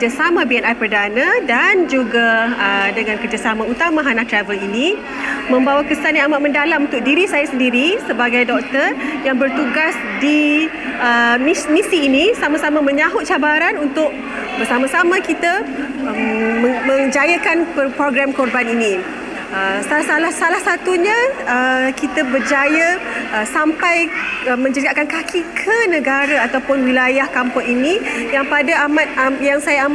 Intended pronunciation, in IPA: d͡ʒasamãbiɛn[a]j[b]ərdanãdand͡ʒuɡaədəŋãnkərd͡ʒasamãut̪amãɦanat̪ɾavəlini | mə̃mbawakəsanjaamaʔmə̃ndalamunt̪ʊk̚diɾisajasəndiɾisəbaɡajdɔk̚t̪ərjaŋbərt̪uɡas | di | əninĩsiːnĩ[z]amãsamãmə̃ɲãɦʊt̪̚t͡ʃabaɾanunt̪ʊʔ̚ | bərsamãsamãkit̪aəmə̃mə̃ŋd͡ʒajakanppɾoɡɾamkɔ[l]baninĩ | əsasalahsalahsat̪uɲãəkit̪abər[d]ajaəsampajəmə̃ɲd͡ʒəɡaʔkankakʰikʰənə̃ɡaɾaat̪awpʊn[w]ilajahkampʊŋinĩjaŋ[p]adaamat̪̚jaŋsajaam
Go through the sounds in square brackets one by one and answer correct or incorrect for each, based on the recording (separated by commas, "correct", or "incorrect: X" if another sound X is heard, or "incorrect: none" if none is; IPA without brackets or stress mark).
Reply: correct, incorrect: p, incorrect: s, incorrect: r, incorrect: d͡ʒ, correct, correct